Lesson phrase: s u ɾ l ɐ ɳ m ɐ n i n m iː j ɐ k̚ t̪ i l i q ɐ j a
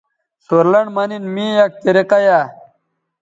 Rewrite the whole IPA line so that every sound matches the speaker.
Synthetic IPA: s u ɾ l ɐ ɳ m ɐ n i n m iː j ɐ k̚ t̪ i ɾ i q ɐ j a